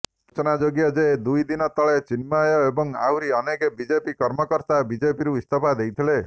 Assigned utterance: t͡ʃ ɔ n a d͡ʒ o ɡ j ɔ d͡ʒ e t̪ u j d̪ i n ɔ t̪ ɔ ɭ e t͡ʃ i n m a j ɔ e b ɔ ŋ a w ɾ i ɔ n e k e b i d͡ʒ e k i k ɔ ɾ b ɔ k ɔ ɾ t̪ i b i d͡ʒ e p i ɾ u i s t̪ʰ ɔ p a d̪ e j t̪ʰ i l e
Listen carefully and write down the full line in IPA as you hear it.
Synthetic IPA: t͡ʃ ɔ n a d͡ʒ o ɡ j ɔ d͡ʒ e d̪ u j d̪ i n ɔ t̪ ɔ ɭ e t͡ʃ i n m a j ɔ e b ɔ ŋ a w ɾ i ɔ n e k e b i d͡ʒ e p i k ɔ ɾ m ɔ k ɔ ɾ t̪ a b i d͡ʒ e p i ɾ u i s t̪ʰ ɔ p a d̪ e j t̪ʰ i l e